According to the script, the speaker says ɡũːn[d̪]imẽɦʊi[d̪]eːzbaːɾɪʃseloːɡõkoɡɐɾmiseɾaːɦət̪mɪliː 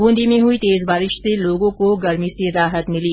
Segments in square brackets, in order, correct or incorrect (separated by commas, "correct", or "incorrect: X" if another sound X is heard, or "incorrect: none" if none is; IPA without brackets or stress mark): correct, incorrect: t̪